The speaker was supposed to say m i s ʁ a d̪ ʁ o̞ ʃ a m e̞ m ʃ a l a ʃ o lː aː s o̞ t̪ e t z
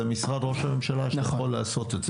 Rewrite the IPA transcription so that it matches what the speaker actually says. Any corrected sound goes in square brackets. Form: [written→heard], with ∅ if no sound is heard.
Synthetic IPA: m i s ʁ a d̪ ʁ o̞ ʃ a m e̞ m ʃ a l a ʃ o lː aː s o̞ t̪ e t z